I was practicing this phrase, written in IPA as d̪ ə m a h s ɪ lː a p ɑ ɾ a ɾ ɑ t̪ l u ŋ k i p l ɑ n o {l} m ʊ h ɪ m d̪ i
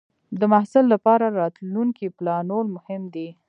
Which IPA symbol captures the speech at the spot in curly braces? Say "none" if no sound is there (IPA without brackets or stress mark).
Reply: l